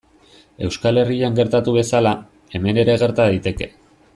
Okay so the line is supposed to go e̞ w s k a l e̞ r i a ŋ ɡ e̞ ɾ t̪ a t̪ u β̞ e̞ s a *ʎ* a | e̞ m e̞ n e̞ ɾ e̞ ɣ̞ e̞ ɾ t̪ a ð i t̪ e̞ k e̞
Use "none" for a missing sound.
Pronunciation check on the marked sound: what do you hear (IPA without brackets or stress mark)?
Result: l